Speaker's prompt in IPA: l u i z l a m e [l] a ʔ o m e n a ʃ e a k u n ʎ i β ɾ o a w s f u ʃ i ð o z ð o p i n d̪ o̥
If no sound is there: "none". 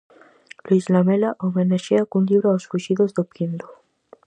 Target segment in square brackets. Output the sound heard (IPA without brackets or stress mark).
l